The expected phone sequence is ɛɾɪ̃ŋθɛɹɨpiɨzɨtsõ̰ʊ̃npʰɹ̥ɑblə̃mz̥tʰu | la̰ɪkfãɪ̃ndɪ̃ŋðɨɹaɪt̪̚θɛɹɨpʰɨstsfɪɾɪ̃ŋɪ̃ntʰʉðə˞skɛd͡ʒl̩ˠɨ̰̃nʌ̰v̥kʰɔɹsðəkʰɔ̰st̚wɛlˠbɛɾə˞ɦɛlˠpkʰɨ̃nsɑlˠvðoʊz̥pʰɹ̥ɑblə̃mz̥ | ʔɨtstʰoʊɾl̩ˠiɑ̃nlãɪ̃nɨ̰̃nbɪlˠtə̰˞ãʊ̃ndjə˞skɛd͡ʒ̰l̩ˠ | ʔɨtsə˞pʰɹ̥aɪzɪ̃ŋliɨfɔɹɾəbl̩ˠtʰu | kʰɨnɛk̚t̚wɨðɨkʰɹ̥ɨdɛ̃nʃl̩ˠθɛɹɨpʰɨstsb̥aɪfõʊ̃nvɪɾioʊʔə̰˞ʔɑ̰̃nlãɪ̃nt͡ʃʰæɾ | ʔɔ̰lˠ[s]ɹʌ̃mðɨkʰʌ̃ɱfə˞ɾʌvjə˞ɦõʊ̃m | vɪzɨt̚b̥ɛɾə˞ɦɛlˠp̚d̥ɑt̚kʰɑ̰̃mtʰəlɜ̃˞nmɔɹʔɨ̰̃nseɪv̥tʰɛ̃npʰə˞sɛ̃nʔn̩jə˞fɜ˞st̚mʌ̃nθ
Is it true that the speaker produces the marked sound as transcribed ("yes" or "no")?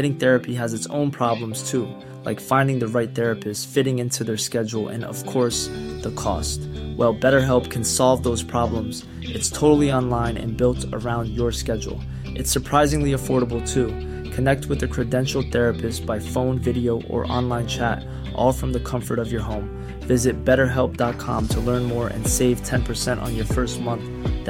no